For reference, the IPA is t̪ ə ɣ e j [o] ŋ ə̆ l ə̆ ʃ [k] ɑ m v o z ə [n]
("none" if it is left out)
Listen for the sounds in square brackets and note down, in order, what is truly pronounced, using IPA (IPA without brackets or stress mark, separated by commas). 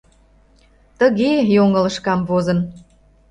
o, k, n